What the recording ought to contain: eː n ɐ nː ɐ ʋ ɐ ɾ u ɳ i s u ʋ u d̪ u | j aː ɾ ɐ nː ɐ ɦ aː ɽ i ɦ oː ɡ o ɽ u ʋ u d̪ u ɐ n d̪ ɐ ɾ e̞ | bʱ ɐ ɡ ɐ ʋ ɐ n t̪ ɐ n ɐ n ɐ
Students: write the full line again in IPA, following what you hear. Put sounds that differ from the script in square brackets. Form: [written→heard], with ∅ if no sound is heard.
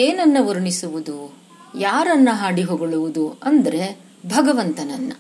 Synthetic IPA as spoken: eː n ɐ nː ɐ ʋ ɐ ɾ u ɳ i s u ʋ u d̪ u | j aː ɾ ɐ nː ɐ ɦ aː ɽ i ɦ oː ɡ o [ɽ→ɭ] u ʋ u d̪ u ɐ n d̪ ɐ ɾ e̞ | bʱ ɐ ɡ ɐ ʋ ɐ n t̪ ɐ n ɐ [n→nː] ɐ